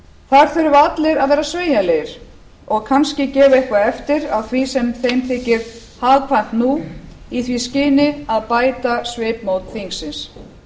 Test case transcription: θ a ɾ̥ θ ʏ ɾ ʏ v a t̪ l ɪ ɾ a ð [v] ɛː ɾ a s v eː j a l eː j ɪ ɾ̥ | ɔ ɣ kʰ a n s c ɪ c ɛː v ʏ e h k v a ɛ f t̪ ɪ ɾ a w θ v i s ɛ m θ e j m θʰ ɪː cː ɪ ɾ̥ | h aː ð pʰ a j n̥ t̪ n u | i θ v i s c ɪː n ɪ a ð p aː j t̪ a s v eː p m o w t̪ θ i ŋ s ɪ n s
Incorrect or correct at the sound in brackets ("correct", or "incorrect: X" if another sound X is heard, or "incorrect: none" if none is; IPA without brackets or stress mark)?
correct